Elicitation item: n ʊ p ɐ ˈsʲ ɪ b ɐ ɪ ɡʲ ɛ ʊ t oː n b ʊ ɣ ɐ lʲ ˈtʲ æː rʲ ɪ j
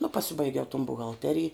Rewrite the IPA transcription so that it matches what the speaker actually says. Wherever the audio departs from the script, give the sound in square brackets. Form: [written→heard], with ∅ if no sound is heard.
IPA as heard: n ʊ p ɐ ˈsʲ ɪ b ɐ ɪ ɡʲ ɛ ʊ t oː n b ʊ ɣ ɐ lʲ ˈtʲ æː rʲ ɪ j